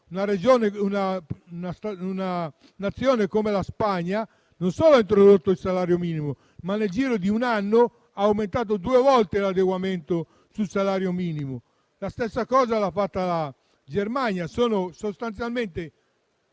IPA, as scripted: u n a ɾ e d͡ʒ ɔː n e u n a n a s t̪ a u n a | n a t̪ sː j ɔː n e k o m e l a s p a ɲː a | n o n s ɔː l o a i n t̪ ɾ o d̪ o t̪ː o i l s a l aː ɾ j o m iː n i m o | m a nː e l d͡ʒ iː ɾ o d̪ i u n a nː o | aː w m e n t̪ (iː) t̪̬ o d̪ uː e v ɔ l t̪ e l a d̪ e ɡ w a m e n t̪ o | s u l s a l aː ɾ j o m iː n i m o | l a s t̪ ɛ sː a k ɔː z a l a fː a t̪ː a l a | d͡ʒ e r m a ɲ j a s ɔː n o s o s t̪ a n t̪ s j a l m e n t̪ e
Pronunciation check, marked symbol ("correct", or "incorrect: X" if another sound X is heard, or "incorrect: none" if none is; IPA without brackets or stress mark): incorrect: aː